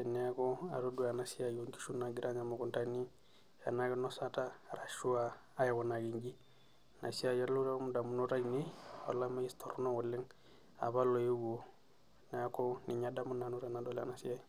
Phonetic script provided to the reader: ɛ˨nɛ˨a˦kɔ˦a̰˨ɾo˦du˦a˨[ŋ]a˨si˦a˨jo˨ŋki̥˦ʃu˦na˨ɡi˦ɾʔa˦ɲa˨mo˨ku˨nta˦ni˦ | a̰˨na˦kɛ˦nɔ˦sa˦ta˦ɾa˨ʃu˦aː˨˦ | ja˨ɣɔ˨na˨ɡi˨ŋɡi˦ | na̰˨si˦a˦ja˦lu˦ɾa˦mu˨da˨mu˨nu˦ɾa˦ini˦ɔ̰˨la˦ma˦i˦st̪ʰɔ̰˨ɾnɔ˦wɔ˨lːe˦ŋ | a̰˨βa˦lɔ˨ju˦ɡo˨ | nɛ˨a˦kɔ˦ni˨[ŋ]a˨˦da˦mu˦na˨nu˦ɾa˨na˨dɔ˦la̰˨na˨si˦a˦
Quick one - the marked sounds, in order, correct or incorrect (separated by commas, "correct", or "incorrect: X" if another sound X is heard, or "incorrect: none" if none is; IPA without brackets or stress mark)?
incorrect: n, incorrect: ɲ